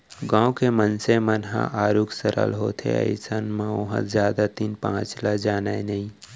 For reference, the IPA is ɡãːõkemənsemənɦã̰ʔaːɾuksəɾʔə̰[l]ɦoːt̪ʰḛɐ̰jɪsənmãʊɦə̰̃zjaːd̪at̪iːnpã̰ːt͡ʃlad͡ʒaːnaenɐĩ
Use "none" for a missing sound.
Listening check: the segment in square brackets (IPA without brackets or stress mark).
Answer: l